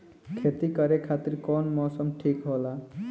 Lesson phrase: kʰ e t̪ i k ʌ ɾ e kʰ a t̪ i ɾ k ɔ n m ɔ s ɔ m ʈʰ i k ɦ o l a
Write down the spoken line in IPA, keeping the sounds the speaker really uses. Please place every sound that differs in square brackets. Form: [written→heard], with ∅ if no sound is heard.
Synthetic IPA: kʰ e t̪ i k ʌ ɾ e kʰ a t̪ i ɾ k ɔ n m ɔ s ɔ m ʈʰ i k ɦ o l a